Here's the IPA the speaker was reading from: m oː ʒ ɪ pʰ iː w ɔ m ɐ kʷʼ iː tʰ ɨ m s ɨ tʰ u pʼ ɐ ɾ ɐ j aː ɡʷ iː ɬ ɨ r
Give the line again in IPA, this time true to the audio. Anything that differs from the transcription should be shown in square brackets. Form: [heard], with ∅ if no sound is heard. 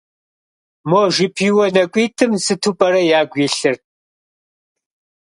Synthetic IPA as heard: m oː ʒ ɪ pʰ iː w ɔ [n] ɐ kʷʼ iː tʰ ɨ m s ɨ tʰ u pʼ ɐ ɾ ɐ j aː ɡʷ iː ɬ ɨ r